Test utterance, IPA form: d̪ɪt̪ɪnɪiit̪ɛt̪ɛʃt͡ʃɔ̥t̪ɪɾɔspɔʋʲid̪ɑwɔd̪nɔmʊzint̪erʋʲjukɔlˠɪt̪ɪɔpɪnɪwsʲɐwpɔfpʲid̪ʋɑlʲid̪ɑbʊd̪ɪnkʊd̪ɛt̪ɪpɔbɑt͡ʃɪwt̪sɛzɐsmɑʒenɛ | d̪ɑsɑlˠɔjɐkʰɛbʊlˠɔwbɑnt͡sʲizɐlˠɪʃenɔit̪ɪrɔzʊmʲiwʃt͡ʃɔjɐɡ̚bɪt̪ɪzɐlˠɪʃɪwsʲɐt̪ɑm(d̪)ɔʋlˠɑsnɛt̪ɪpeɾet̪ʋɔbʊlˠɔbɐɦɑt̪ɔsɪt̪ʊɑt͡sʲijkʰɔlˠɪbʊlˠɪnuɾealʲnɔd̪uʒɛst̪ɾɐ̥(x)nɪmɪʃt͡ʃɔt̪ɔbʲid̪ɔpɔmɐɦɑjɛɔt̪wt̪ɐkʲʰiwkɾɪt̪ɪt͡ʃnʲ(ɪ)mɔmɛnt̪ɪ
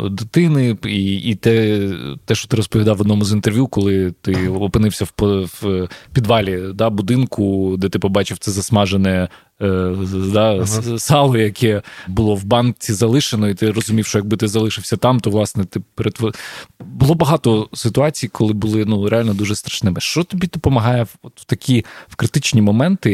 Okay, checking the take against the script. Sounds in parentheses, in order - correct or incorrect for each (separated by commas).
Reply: incorrect, incorrect, incorrect